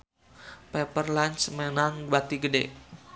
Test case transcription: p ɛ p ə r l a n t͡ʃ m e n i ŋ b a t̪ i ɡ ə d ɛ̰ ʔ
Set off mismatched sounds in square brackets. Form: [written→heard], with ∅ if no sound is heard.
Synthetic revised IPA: p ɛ p ə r l a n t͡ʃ m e n [i→a] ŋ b a t̪ i ɡ ə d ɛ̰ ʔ